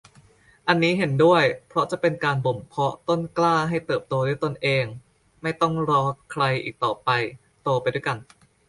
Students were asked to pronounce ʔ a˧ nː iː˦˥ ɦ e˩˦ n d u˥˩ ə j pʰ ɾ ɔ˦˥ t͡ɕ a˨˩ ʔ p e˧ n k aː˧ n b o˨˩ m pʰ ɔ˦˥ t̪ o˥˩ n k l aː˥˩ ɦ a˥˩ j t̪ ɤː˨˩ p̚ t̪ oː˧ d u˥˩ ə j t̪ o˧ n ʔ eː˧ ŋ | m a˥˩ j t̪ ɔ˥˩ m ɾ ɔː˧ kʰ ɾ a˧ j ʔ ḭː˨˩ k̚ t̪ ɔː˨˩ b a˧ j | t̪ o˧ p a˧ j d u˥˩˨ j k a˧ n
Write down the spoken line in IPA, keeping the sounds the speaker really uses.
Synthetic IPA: ʔ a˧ nː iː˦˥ ɦ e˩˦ n d u˥˩ ə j pʰ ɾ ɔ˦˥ t͡ɕ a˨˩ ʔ p e˧ n k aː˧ n b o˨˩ m pʰ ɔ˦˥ t̪ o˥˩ n k l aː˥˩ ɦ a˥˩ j t̪ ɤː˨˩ p̚ t̪ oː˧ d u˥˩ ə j t̪ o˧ n ʔ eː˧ ŋ | m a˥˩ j t̪ ɔ˥˩ ŋ ɾ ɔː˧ kʰ ɾ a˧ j ʔ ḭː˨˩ k̚ t̪ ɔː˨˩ p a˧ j | t̪ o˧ p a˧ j d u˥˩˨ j k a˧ n